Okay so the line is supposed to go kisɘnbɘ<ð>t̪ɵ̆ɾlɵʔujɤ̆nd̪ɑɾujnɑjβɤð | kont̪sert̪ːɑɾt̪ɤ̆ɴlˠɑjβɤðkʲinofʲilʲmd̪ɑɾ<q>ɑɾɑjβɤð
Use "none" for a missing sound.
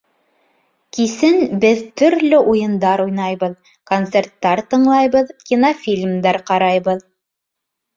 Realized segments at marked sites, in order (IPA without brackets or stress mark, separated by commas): ð, q